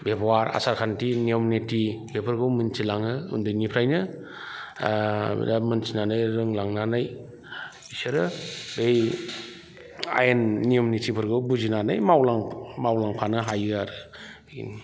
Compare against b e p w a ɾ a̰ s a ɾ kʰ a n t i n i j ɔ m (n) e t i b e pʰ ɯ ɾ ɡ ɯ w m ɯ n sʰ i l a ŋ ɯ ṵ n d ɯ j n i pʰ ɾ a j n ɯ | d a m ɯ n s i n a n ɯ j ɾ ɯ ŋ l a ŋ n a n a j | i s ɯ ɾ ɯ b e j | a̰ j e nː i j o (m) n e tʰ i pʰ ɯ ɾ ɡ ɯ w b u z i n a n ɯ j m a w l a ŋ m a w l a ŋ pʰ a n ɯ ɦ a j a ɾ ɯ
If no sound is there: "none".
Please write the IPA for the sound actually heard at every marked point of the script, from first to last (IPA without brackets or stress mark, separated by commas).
n, m